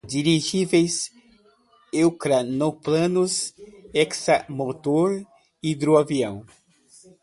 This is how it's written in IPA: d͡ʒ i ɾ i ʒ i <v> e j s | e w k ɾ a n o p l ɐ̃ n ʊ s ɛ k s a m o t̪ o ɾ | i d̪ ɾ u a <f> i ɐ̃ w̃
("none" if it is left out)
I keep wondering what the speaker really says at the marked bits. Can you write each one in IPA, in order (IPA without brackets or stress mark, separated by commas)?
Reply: v, v